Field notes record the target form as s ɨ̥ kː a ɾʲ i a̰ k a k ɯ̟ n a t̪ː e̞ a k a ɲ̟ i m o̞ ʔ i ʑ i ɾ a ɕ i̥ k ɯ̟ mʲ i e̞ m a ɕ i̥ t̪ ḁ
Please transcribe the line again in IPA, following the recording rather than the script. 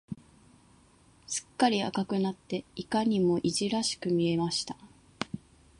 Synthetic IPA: s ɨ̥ kː a ɾʲ i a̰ k a k ɯ̟ n a t̪ː e̞ i k a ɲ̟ i m o̞ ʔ i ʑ i ɾ a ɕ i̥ k ɯ̟ mʲ i e̞ m a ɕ i̥ t̪ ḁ